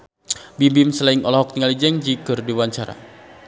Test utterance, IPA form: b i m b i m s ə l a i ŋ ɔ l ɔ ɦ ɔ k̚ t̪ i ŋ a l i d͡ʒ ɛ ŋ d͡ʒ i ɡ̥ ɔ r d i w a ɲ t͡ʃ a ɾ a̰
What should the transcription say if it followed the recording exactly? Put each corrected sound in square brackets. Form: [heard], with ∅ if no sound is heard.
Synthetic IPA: b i m b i m s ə l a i ŋ ɔ l ɔ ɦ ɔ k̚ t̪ i ŋ a l i d͡ʒ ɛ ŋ d͡ʒ i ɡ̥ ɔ r d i w a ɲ t͡ʃ a ɾ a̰